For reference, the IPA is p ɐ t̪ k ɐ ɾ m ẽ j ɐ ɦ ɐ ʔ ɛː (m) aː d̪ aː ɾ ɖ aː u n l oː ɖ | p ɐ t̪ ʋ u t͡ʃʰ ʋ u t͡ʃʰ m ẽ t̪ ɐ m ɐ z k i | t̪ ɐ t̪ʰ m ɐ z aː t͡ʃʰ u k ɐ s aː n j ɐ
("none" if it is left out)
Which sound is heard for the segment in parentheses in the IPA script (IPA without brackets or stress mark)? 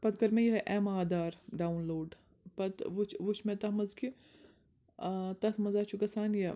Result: m